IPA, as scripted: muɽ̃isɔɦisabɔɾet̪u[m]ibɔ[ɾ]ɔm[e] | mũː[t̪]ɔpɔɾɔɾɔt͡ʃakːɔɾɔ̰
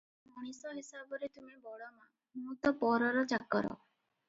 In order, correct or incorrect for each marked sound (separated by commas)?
correct, incorrect, incorrect, correct